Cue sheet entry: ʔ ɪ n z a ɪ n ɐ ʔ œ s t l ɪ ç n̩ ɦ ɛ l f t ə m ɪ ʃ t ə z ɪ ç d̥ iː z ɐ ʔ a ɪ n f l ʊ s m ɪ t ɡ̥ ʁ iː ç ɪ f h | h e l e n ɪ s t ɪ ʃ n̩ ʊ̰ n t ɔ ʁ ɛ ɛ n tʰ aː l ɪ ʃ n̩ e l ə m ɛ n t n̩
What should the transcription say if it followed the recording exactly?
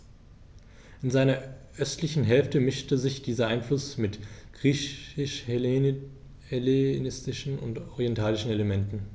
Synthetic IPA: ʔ ɪ n z a ɪ n ɐ ʔ œ s t l ɪ ç n̩ ɦ ɛ l f t ə m ɪ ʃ t ə z ɪ ç d̥ iː z ɐ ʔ a ɪ n f l ʊ s m ɪ t ɡ̥ ʁ iː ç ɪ ʃ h | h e l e n ɪ s t ɪ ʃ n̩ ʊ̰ n t ɔ ʁ i ɛ n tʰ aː l ɪ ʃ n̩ e l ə m ɛ n t n̩